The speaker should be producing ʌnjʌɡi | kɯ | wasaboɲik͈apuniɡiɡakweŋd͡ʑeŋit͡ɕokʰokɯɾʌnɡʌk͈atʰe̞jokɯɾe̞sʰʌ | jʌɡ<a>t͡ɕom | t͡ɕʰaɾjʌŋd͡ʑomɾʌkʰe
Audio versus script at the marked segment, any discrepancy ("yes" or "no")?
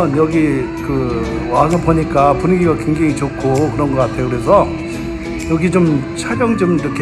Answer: yes